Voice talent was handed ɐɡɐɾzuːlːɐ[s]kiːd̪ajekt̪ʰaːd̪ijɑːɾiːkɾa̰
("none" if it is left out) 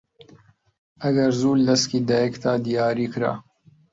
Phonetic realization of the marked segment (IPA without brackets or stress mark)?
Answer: s